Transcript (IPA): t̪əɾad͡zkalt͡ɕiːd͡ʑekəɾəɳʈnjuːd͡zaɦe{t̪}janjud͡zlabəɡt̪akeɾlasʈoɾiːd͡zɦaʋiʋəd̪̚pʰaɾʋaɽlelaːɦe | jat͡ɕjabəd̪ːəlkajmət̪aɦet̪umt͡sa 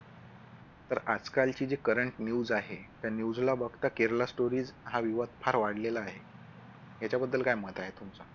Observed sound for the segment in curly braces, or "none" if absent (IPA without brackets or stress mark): t̪